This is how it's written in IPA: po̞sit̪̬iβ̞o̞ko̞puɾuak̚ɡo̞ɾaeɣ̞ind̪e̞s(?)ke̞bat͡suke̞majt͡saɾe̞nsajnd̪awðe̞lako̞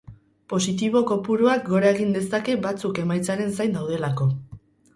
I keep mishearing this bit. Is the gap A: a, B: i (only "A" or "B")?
A